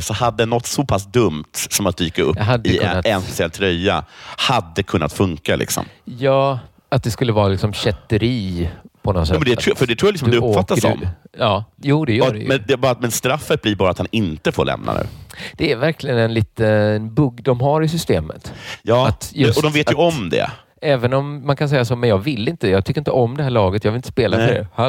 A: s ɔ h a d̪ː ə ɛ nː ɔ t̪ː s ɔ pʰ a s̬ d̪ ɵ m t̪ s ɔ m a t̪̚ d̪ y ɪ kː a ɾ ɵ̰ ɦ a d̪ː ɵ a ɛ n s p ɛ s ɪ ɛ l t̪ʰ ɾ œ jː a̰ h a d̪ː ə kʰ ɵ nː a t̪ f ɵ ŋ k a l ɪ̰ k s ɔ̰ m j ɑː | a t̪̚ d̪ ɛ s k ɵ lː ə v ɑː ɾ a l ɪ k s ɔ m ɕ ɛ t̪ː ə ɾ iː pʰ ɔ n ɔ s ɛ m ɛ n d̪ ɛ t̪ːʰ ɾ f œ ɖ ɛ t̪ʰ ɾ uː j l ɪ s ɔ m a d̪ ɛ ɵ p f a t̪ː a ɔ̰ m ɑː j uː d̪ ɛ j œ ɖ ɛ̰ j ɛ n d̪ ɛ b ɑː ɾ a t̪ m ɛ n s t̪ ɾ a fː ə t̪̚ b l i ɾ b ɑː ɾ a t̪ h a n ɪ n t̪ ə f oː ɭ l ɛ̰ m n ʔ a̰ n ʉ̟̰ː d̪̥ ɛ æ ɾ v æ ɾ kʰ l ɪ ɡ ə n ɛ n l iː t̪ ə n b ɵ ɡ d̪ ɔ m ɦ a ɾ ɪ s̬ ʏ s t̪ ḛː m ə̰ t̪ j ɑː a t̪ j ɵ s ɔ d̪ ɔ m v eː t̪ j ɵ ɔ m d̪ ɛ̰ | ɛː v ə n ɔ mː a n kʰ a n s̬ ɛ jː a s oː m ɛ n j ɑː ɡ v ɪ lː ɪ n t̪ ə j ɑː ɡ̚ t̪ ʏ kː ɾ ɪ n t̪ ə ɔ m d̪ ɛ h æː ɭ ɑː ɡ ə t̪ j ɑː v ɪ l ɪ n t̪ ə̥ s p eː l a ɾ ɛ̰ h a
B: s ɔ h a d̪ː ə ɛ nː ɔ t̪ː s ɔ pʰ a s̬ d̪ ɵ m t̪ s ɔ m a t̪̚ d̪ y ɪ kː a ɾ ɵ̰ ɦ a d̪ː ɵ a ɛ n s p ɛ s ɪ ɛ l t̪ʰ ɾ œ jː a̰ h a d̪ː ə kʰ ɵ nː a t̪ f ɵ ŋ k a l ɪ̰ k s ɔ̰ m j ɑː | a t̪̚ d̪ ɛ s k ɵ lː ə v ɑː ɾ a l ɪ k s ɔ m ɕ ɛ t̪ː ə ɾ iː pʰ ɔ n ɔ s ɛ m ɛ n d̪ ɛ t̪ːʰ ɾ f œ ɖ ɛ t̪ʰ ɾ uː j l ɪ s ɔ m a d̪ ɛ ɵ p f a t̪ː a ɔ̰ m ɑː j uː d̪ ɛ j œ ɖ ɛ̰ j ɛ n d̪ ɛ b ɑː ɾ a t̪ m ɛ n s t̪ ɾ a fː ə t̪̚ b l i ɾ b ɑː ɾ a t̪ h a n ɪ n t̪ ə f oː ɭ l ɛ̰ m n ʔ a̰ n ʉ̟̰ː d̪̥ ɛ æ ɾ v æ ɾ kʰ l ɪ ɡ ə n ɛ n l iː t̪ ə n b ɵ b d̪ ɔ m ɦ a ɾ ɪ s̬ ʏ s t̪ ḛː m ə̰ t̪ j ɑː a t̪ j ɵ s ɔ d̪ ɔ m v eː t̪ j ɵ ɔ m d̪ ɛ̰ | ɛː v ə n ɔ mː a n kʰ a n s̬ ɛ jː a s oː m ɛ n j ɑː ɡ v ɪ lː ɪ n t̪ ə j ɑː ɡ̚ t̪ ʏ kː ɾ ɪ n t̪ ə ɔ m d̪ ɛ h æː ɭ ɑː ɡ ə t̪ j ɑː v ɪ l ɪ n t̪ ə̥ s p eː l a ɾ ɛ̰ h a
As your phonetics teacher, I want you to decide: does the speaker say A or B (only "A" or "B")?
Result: A